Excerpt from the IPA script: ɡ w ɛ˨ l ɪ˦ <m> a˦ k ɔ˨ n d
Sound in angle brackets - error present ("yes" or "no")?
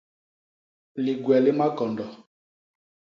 no